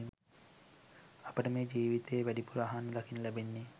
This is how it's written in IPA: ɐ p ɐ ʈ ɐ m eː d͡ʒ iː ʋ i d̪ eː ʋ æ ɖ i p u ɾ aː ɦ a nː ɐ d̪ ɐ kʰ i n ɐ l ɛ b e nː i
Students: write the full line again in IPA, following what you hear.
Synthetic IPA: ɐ p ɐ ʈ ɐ m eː d͡ʒ iː ʋ i t̪ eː ʋ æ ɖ i p u ɾ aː ɦ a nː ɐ d̪ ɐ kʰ i n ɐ l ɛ b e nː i